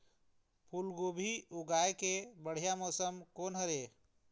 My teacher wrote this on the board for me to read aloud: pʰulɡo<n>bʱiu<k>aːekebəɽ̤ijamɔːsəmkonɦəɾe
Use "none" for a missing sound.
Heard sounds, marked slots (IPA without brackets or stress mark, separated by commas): none, ɡ